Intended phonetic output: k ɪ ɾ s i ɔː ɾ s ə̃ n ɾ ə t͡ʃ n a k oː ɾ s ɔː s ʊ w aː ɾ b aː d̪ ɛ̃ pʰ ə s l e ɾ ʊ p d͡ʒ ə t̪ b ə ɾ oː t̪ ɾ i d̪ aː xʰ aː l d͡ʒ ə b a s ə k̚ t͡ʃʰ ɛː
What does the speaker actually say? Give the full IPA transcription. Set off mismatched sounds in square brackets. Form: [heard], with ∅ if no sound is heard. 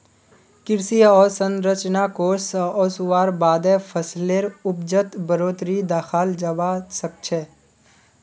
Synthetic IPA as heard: k ɪ ɾ s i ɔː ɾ s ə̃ n ɾ ə t͡ʃ n a k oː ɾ s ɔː s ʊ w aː ɾ b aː d̪ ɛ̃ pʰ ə s l e ɾ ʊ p d͡ʒ ə t̪ b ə ɾ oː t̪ ɾ i d̪ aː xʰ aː l d͡ʒ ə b a s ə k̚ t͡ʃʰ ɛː